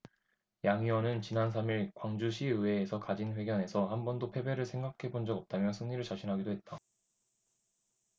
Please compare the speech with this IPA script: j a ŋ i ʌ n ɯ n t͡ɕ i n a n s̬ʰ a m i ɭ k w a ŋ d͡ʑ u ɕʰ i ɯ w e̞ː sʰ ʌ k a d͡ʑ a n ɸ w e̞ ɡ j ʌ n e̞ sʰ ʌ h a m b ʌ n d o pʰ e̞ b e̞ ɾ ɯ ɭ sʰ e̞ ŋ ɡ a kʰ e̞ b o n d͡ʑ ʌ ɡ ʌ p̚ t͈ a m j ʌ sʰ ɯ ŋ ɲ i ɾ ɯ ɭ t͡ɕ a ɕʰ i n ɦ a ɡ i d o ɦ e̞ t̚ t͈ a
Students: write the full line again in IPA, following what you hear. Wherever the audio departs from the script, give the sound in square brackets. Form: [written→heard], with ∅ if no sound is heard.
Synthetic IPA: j a ŋ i ʌ n ɯ n t͡ɕ i n a n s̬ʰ a m i ɭ k w a ŋ d͡ʑ u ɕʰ i ɯ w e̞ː sʰ ʌ k a d͡ʑ [a→i] n ɸ w e̞ ɡ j ʌ n e̞ sʰ ʌ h a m b ʌ n d o pʰ e̞ b e̞ ɾ ɯ ɭ sʰ e̞ ŋ ɡ a kʰ e̞ b o n d͡ʑ ʌ ɡ ʌ p̚ t͈ a m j ʌ sʰ ɯ ŋ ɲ i ɾ ɯ ɭ t͡ɕ a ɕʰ i n ɦ a ɡ i d o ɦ e̞ t̚ t͈ a